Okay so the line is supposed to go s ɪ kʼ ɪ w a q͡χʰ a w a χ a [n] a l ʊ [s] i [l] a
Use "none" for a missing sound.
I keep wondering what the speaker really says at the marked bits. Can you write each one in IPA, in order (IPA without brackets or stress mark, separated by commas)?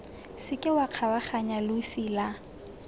ɲ, s, l